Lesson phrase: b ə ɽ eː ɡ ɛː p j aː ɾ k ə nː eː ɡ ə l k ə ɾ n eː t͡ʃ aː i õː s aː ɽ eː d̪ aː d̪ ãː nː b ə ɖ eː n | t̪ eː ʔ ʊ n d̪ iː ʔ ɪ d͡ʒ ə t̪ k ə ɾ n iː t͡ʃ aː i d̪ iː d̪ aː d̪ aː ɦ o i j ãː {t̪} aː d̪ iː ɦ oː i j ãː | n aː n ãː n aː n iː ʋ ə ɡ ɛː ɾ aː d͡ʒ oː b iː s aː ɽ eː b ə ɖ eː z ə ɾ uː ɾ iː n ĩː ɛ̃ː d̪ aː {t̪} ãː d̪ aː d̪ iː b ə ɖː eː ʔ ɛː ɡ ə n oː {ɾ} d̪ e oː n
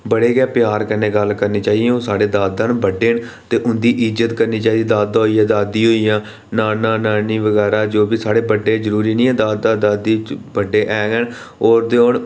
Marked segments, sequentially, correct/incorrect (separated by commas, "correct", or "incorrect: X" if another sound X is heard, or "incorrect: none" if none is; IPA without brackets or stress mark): incorrect: d̪, incorrect: d̪, correct